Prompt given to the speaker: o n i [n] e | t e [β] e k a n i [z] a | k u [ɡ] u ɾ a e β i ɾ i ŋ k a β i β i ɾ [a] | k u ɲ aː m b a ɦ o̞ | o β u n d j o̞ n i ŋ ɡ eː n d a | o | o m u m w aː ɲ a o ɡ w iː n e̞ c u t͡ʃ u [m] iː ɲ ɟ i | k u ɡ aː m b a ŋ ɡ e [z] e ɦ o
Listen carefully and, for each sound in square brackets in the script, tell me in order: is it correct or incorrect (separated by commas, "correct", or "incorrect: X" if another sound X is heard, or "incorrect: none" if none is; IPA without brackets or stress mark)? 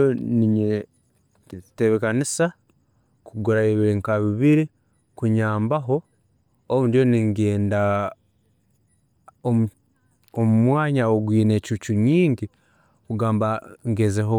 incorrect: ɲ, correct, incorrect: s, correct, incorrect: i, incorrect: ɲ, correct